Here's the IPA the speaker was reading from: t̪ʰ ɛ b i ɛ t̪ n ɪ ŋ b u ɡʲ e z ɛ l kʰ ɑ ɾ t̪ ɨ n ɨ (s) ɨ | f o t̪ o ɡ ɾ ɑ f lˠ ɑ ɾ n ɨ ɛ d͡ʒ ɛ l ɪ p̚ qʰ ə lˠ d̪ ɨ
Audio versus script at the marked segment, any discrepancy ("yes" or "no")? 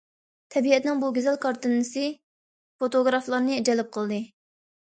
no